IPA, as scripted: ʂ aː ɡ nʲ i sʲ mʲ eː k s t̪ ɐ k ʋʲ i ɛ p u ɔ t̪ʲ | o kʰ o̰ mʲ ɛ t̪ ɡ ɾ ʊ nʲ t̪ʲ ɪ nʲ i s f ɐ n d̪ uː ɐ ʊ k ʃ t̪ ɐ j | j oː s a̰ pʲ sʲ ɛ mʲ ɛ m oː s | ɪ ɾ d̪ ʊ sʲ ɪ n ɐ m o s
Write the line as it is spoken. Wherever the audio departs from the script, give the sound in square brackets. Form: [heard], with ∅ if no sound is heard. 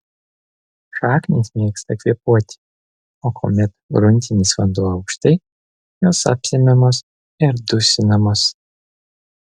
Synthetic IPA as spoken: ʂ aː [k] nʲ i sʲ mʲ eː k s t̪ ɐ k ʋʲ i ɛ p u ɔ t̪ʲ | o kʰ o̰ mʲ ɛ t̪ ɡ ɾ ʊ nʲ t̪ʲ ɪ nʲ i s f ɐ n d̪ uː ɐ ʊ k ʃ t̪ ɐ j | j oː s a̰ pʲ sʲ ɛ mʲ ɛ m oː s | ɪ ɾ d̪ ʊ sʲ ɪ n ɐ m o s